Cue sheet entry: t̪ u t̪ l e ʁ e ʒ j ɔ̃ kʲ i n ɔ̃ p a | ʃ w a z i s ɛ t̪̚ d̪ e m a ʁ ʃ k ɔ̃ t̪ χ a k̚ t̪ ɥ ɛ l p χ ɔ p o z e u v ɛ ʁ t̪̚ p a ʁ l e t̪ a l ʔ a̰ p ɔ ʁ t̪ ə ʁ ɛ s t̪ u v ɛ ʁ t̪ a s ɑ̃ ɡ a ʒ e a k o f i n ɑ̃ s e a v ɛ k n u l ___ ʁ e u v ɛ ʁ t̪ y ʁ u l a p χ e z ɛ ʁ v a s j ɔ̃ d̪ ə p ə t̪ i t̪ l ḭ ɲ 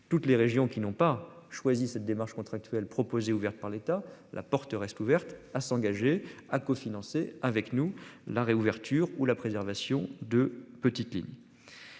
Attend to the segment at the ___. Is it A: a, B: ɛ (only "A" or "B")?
A